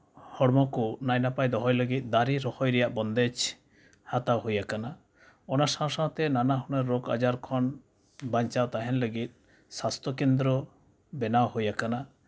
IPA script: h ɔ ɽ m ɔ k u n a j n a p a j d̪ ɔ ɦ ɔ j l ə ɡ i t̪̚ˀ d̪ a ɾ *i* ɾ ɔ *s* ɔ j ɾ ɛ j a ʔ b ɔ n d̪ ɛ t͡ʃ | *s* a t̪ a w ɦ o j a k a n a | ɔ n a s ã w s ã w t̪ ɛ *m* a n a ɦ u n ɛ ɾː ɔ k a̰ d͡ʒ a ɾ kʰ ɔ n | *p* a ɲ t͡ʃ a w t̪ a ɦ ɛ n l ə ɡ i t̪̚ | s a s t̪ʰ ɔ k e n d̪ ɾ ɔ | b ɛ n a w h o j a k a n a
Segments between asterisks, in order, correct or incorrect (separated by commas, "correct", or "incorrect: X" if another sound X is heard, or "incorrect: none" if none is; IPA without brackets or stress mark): correct, incorrect: h, incorrect: h, incorrect: n, incorrect: b